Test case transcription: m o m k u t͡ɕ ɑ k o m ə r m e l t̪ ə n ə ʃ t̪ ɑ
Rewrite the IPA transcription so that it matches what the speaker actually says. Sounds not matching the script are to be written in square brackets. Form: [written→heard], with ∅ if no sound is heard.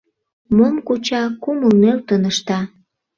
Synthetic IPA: m o m k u t͡ɕ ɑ k [o→u] m ə [r→l] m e l t̪ ə n ə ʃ t̪ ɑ